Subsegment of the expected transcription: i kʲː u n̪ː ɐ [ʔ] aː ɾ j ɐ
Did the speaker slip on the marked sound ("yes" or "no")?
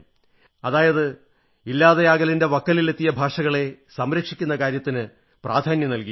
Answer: yes